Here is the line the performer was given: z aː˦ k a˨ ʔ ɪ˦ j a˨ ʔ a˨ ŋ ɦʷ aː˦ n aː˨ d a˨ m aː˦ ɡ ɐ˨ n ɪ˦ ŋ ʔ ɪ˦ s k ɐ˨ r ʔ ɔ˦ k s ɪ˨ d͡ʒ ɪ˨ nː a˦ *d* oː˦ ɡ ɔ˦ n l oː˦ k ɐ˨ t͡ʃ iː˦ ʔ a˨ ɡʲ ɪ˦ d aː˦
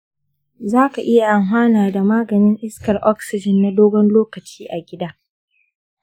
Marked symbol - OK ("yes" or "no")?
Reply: yes